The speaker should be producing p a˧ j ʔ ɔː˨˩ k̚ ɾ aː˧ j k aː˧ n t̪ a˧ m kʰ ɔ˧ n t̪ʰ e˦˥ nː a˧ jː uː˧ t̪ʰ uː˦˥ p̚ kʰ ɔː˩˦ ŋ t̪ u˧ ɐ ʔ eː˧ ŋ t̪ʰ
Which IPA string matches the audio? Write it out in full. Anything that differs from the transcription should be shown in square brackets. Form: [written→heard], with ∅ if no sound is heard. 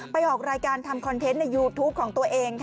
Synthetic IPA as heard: p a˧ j ʔ ɔː˨˩ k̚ ɾ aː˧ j k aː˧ n [t̪→t̪ʰ] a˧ m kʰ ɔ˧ n t̪ʰ e˦˥ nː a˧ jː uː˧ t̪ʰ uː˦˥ p̚ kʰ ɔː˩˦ ŋ t̪ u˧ ɐ ʔ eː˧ ŋ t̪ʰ